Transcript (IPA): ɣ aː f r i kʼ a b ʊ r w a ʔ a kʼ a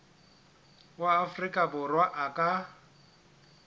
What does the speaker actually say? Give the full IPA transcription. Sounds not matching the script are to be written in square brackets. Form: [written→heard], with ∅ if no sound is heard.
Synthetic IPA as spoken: [ɣ→w] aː f r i kʼ a b ʊ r w a ʔ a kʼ a